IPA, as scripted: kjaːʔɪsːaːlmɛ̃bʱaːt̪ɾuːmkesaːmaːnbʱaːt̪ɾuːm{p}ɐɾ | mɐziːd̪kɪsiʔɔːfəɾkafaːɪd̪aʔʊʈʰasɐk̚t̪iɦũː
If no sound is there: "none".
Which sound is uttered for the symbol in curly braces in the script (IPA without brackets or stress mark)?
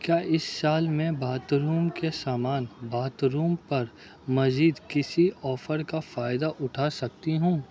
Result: p